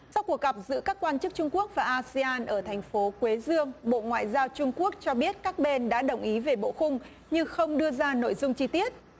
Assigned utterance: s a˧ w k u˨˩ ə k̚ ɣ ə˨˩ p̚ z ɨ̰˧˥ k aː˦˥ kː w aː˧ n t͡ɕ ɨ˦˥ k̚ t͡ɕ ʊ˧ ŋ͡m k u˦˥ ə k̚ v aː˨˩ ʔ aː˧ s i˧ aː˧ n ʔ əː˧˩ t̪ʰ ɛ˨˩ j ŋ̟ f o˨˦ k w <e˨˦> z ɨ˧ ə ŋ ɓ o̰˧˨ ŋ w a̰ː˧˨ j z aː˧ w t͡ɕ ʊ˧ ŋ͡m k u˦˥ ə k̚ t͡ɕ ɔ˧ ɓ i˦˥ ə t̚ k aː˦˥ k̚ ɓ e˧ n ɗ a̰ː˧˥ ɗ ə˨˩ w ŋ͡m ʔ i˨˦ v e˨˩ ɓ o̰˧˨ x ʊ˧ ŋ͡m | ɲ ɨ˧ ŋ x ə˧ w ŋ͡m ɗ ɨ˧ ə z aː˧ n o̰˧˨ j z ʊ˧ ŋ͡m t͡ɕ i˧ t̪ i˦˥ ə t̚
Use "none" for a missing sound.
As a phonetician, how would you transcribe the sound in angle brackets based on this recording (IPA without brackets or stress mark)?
e˨˦